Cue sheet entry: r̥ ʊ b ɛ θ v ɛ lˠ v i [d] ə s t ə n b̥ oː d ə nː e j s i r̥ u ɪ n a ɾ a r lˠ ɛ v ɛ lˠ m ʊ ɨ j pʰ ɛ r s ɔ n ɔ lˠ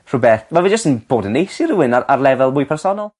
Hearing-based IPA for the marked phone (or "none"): d͡ʒ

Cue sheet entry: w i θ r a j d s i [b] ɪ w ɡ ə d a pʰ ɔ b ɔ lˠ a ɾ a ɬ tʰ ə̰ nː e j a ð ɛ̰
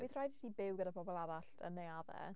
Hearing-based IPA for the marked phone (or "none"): b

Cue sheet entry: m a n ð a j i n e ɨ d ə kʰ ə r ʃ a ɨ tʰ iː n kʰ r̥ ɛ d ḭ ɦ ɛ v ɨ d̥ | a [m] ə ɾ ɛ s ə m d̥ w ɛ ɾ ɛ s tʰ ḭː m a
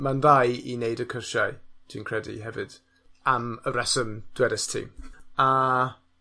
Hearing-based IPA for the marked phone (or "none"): m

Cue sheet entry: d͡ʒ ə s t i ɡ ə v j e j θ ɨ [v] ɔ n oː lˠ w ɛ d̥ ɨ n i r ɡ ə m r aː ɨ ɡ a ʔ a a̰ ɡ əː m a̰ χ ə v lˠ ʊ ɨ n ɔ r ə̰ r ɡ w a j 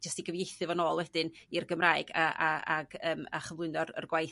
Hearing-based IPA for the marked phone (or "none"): v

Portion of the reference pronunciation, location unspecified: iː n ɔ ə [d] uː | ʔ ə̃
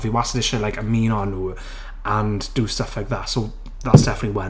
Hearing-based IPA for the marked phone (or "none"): n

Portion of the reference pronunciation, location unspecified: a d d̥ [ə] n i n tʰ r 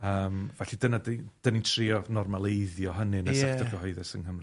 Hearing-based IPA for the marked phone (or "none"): ə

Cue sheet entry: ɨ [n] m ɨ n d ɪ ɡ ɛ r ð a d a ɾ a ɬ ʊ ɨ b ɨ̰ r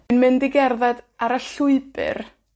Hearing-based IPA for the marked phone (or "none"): n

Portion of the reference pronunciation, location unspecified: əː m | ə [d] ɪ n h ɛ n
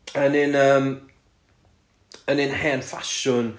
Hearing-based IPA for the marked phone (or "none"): n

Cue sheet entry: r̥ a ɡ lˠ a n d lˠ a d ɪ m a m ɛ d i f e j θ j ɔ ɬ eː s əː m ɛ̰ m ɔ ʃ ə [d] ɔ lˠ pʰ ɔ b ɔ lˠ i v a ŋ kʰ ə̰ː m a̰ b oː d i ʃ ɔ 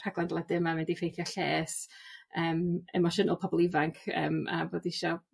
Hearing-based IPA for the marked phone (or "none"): n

